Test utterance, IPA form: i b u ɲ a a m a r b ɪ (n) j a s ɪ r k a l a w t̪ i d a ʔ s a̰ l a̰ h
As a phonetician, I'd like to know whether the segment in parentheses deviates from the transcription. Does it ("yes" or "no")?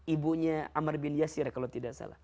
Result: no